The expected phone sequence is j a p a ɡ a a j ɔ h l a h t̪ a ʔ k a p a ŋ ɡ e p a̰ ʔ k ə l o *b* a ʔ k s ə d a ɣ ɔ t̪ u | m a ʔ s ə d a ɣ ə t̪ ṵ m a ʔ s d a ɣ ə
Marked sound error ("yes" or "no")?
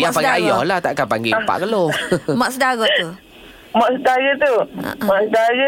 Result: yes